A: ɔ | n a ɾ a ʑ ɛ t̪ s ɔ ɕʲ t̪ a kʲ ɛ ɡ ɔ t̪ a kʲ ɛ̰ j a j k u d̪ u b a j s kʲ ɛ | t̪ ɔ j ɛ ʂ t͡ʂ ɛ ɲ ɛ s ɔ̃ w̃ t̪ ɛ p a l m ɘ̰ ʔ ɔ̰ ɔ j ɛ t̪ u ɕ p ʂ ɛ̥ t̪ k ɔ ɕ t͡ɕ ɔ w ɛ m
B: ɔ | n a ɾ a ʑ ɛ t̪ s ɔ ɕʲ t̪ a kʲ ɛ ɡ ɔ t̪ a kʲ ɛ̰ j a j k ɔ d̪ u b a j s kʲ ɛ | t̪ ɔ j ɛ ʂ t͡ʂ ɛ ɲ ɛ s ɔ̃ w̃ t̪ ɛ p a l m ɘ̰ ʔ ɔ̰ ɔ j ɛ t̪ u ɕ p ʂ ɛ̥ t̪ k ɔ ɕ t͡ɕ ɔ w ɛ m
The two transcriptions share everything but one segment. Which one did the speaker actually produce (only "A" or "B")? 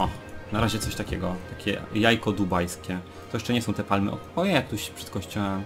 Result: B